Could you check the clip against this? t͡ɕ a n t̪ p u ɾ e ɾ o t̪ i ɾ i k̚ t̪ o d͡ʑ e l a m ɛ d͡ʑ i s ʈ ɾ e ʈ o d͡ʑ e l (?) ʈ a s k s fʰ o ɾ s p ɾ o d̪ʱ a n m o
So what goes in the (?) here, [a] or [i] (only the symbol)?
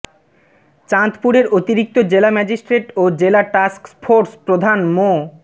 a